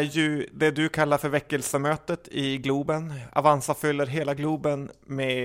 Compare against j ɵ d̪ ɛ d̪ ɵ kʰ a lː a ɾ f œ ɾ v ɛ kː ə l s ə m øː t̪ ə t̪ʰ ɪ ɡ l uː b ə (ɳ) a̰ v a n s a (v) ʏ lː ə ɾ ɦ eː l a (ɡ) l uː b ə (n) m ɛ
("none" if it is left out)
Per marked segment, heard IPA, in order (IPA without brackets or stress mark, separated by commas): n, f, ɡ, n